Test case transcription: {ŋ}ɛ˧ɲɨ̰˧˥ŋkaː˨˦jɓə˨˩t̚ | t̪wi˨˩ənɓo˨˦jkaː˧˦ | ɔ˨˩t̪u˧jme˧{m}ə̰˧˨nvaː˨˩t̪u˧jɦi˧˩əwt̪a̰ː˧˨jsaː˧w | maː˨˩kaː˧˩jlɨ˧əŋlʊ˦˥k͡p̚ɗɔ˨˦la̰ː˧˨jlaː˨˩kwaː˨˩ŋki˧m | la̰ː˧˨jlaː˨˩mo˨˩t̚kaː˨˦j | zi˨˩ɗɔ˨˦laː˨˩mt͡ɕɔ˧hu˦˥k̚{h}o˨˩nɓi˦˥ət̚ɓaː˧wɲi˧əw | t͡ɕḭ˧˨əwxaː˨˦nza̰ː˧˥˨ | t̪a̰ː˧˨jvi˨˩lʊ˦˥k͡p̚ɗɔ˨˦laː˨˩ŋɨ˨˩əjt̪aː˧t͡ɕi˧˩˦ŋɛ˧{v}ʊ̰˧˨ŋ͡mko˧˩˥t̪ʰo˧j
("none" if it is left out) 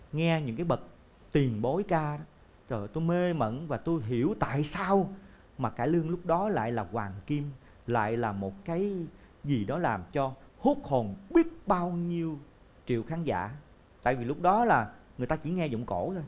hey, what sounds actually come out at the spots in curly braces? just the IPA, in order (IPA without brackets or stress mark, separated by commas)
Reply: ŋ, m, h, z